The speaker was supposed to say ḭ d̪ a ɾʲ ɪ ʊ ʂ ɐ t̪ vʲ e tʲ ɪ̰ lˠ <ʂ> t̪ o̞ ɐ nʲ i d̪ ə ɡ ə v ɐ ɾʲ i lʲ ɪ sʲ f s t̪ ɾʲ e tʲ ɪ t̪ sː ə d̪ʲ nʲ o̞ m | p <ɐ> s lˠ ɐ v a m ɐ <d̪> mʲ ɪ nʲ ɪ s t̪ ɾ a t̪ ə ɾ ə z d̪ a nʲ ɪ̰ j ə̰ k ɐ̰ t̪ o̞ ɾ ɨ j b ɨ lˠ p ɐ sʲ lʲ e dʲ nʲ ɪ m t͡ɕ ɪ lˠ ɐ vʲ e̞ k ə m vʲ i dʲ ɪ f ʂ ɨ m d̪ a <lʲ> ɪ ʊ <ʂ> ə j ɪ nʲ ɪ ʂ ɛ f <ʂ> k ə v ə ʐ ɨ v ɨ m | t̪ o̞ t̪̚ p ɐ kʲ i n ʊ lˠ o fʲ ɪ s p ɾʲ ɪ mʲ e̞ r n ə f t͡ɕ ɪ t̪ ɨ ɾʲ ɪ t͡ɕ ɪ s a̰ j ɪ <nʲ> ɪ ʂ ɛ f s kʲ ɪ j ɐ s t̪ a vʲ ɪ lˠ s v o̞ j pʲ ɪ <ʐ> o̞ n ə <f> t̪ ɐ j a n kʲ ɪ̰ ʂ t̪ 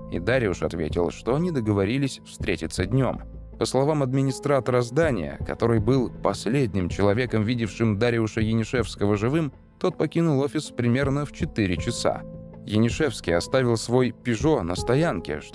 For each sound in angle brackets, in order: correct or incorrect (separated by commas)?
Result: correct, incorrect, correct, incorrect, correct, incorrect, correct, correct, incorrect